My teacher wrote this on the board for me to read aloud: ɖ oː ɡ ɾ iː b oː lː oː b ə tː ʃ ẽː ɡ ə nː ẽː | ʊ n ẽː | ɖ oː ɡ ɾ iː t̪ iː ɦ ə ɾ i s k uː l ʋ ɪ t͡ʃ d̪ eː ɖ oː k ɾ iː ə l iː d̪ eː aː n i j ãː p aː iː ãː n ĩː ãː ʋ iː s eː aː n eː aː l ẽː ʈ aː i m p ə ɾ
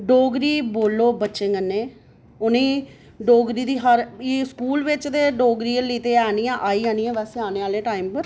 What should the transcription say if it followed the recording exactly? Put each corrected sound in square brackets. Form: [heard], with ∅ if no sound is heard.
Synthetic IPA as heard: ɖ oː ɡ ɾ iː b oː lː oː b ə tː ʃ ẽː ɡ ə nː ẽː | ʊ n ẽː | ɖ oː ɡ ɾ iː [d̪] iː ɦ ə ɾ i s k uː l ʋ ɪ t͡ʃ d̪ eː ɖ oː [ɡ] ɾ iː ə l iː [t̪] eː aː n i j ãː [ʔ] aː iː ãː n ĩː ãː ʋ [ɛː] s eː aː n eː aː l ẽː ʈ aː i m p ə ɾ